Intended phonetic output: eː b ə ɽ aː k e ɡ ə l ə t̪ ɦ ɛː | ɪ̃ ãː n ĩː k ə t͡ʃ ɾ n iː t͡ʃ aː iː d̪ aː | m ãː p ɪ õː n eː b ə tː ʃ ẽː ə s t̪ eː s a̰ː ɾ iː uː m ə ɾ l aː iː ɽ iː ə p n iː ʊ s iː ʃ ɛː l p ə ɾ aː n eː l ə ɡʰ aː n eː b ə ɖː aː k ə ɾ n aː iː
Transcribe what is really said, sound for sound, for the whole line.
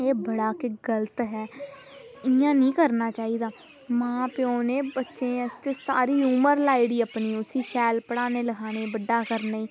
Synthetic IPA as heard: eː b ə ɽ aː k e ɡ ə l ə t̪ ɦ ɛː | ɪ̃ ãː n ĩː k ə ɾ n aː t͡ʃ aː iː d̪ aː | m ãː p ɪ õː n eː b ə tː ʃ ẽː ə s t̪ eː s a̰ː ɾ iː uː m ə ɾ l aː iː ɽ iː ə p n iː ʊ s iː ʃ ɛː l p ə ɽ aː n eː l ə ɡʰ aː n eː b ə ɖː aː k ə ɾ n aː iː